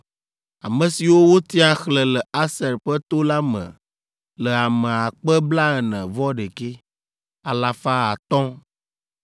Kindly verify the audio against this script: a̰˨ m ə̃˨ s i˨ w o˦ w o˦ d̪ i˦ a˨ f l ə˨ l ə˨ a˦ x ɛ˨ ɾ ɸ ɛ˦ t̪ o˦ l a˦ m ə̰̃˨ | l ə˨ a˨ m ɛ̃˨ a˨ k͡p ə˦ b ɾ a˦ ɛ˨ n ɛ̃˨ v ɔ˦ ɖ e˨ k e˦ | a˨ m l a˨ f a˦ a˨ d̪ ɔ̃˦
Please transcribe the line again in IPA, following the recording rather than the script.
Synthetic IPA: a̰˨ m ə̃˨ s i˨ w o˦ w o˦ t̪ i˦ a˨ x l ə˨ l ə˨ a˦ s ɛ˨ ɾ ɸ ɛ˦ t̪ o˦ l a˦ m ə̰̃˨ | l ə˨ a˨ m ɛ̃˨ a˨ k͡p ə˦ b l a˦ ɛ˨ n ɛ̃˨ v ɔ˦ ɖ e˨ k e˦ | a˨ l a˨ f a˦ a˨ t̪ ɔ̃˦